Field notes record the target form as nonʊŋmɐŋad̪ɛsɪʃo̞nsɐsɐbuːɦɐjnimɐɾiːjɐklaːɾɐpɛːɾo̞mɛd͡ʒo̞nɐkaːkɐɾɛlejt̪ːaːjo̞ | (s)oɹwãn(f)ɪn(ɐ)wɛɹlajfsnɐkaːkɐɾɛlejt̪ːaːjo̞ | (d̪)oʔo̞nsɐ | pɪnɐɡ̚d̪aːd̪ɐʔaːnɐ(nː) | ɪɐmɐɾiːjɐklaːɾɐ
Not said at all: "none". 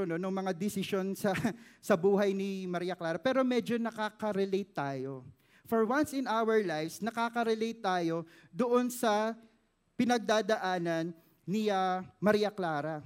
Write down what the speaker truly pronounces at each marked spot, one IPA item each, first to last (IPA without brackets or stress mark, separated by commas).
f, s, a, d̪, nː